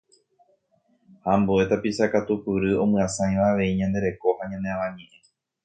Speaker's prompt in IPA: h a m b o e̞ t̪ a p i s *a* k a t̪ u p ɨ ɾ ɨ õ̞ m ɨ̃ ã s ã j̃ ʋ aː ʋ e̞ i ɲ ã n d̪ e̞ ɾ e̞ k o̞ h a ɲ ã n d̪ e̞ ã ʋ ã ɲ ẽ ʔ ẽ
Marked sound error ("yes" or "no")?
no